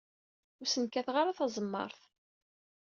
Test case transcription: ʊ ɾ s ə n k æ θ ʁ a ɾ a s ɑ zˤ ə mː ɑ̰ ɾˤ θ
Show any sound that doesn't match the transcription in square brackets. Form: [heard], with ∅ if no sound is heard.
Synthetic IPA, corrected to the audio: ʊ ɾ s ə n k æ θ ʁ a ɾ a [θ] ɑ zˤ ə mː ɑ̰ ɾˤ θ